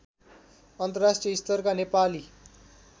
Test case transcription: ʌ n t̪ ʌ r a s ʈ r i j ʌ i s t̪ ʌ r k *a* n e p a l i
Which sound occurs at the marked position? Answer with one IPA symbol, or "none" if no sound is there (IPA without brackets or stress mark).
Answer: a